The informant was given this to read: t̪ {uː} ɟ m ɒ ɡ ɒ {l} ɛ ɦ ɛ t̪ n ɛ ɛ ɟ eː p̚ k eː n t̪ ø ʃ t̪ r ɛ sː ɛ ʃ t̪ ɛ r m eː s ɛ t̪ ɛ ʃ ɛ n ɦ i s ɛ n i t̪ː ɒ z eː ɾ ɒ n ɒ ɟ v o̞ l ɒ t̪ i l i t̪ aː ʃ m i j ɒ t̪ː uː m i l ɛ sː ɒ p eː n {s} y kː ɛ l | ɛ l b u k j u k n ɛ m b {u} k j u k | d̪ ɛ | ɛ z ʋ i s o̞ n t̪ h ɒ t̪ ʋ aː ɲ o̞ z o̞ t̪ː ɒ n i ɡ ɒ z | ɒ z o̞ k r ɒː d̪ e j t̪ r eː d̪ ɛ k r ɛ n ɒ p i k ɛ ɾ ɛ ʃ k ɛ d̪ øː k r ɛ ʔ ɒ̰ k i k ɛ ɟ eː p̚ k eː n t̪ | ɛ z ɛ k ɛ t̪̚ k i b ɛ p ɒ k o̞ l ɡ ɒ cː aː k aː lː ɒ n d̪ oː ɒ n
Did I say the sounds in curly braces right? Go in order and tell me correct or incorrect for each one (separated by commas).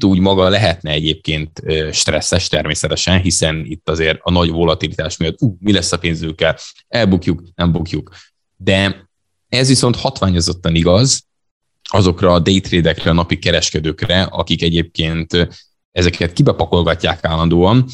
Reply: correct, correct, incorrect, correct